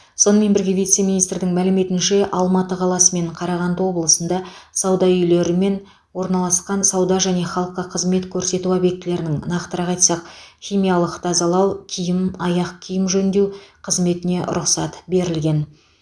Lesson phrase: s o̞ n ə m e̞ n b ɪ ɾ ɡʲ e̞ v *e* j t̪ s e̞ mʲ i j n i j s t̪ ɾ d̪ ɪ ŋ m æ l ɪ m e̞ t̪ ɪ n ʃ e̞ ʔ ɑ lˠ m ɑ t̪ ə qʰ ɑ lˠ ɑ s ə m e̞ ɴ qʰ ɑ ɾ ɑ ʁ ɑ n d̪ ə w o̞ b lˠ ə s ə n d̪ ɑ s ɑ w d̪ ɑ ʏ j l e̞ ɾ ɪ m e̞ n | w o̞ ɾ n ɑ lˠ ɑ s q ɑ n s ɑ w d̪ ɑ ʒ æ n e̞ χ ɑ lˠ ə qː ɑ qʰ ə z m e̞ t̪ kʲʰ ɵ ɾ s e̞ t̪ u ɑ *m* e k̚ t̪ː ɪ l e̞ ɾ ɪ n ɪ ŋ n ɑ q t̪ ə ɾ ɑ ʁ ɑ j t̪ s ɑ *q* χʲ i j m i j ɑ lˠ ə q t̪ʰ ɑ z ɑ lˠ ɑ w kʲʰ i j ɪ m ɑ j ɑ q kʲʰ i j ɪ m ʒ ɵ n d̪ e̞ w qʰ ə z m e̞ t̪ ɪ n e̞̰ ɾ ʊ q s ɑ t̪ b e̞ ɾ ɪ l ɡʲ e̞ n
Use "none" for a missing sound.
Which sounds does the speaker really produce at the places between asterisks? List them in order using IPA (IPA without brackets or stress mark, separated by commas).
i, b, q